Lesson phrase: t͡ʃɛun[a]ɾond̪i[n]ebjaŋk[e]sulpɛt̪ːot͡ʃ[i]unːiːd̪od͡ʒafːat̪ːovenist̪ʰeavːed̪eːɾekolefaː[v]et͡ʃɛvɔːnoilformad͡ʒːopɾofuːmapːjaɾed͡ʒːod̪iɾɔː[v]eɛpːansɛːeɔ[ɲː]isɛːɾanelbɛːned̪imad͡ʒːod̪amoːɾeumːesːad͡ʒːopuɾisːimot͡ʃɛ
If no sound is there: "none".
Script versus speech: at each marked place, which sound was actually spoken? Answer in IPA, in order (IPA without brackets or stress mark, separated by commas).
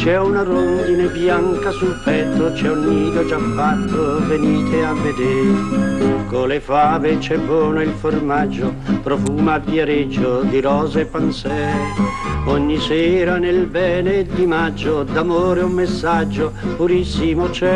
a, n, a, ɛ, v, z, ɲː